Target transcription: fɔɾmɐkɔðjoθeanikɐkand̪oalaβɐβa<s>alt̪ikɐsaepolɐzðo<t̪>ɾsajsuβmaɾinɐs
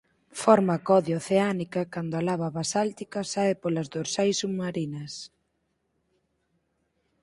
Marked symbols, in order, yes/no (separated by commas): yes, no